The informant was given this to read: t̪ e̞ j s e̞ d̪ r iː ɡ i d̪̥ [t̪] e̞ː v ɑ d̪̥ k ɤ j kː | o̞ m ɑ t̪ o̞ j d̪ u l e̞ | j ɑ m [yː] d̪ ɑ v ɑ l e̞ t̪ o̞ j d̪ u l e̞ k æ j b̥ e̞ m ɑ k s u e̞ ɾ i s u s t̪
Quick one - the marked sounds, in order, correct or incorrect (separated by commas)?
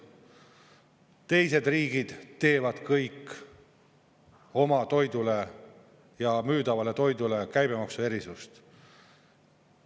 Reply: correct, correct